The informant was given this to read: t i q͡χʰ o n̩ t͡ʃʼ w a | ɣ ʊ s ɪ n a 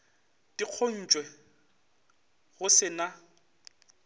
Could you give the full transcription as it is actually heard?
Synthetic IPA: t i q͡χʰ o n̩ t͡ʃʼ w ɛ | ɣ ʊ s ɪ n a